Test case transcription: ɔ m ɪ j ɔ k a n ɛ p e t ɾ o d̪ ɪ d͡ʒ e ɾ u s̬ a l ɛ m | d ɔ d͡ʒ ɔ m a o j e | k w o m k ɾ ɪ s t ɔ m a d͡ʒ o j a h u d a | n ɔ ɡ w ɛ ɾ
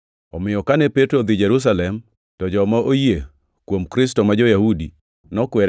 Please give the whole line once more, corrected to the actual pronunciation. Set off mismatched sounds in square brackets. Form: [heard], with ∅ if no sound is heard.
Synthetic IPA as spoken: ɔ m ɪ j ɔ k a n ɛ p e t ɾ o d̪ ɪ d͡ʒ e ɾ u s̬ a l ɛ m | [t] ɔ d͡ʒ ɔ m a o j e | k w o m k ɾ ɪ s t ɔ m a d͡ʒ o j a h u d [i] | n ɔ [k] w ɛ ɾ